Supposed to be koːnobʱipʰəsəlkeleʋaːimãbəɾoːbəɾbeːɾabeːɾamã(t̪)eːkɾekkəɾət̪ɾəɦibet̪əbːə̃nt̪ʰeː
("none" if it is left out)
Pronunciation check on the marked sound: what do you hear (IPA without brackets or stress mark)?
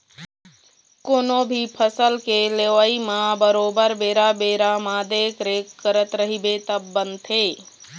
d̪